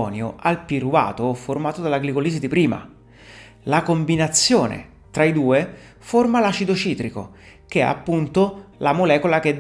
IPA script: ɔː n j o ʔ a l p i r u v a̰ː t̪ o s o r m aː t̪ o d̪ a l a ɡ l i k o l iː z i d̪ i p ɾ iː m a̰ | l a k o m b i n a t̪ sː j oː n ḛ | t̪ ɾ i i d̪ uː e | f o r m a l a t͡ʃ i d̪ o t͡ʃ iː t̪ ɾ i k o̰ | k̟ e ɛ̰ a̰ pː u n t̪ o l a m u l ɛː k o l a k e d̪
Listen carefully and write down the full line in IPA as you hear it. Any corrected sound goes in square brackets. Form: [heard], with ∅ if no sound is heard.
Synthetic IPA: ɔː n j o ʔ a l p i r u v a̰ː t̪ o [f] o r m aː t̪ o d̪ a l a ɡ l i k o l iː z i d̪ i p ɾ iː m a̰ | l a k o m b i n a t̪ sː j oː n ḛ | t̪ ɾ [a] i d̪ uː e | f o r m a l a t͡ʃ i d̪ o t͡ʃ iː t̪ ɾ i k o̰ | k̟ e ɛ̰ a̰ pː u n t̪ o l a m [o] l ɛː k o l a k e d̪